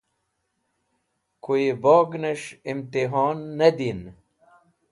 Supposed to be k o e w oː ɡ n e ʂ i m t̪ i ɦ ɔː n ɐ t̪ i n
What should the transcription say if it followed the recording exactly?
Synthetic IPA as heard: k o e b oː ɡ n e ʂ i m t̪ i ɦ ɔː nː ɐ d̪ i n